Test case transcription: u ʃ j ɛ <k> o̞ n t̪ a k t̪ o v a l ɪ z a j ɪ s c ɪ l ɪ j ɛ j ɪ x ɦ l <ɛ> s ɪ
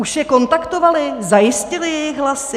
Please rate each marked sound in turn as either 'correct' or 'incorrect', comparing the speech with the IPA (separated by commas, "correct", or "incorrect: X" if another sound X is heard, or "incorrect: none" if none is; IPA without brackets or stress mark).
correct, incorrect: a